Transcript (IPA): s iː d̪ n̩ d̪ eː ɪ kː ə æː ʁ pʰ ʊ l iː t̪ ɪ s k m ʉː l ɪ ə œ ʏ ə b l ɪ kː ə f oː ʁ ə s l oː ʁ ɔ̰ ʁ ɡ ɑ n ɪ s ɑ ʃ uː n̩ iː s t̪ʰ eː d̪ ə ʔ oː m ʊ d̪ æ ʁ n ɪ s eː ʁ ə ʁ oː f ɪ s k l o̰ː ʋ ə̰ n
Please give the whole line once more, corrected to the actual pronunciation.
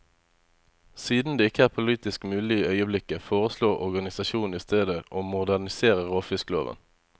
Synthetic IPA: s iː d̪ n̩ d̪ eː ɪ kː ə æː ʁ pʰ ʊ l iː t̪ ɪ s k m ʉː l ɪ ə œ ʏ ə b l ɪ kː ə f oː ʁ ə s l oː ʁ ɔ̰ ʁ ɡ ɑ n ɪ s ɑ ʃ uː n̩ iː s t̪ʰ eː d̪ ə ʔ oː m ʊ d̪ æ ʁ n ɪ s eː ʁ ə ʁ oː f ɪ s k l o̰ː ʋ ə̰ n